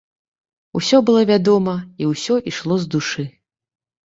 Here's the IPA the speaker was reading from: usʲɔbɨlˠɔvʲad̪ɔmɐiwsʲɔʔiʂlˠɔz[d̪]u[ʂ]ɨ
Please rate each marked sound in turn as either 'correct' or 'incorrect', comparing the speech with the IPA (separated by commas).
correct, correct